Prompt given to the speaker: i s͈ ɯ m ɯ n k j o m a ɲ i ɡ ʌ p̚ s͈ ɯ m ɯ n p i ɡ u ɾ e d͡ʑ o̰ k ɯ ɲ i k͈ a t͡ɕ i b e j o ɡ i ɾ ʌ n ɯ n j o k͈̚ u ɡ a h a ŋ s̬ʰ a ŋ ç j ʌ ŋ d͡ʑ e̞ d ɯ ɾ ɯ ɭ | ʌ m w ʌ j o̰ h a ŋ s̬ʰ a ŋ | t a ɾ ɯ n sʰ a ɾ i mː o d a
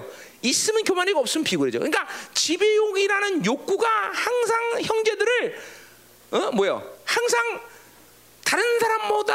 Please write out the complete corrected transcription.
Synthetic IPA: i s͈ ɯ m ɯ n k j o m a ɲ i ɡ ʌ p̚ s͈ ɯ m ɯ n p i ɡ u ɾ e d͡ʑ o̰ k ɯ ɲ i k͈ a t͡ɕ i b e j o ɡ i ɾ a n ɯ n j o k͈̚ u ɡ a h a ŋ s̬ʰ a ŋ ç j ʌ ŋ d͡ʑ e̞ d ɯ ɾ ɯ ɭ | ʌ m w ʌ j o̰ h a ŋ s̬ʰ a ŋ | t a ɾ ɯ n sʰ a ɾ a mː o d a